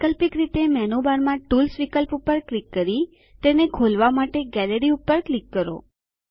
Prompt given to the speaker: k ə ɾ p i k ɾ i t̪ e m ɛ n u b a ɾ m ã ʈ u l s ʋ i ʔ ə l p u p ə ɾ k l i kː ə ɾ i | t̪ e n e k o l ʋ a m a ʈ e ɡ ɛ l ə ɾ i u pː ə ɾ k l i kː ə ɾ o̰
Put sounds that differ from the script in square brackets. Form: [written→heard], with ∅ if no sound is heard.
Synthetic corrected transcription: k ə [ɾ→l] p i k ɾ i t̪ e m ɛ n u b a ɾ m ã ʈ u l s ʋ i [ʔ→k] ə l p u p ə ɾ k l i kː ə ɾ i | t̪ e n e [k→kʰ] o l ʋ a m a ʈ e ɡ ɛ l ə ɾ i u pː ə ɾ k l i kː ə ɾ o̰